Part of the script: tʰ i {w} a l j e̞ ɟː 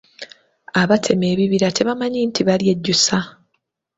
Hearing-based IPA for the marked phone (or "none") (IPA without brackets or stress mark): β